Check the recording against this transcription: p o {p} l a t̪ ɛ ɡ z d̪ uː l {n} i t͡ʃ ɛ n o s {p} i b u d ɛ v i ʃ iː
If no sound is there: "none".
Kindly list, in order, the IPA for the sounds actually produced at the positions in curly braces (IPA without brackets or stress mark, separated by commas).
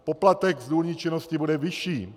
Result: p, ɲ, c